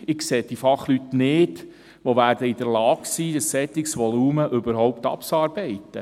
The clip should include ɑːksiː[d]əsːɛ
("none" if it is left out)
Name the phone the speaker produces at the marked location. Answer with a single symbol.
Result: d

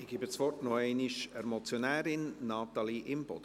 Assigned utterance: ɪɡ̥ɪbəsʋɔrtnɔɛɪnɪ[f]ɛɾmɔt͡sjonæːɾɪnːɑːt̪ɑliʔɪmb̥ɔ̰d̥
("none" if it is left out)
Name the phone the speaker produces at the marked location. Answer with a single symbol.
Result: ʃ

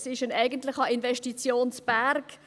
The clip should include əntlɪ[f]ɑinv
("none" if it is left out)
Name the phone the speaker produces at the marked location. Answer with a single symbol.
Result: χ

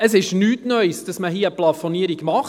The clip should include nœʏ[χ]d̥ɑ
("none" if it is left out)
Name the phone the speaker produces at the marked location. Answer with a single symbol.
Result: s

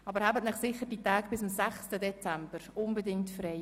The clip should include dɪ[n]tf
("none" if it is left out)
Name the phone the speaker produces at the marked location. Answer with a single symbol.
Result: ŋ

